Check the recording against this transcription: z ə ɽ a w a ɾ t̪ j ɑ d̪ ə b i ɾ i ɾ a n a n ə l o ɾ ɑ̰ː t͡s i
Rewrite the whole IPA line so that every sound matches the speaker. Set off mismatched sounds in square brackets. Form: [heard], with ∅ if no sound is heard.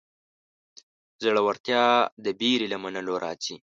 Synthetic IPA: z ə ɽ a w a ɾ t̪ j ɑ d̪ ə b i ɾ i [l] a [m] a n ə l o ɾ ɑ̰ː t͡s i